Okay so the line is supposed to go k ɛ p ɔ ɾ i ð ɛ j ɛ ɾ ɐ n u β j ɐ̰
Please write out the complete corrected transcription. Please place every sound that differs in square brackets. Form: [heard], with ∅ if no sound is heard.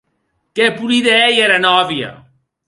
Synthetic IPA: k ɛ p [u] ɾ i ð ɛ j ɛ ɾ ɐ n [ɔ] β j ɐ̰